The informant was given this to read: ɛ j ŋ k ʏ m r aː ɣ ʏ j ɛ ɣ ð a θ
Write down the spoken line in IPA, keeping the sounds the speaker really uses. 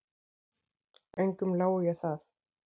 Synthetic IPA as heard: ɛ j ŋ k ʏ m l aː w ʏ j ɛ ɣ θ a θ